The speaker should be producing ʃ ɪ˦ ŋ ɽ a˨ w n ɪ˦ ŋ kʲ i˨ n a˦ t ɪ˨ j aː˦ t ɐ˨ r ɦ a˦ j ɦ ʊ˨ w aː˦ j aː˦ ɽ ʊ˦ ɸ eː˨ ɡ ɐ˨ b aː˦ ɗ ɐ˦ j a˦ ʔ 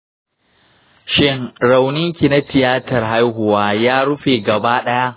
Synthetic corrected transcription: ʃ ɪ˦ ŋ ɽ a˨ w n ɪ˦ ŋ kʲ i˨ n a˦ t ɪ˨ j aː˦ t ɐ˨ r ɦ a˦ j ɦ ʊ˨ w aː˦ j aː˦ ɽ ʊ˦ ɸ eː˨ ɡ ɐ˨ b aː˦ ɗ ɐ˦ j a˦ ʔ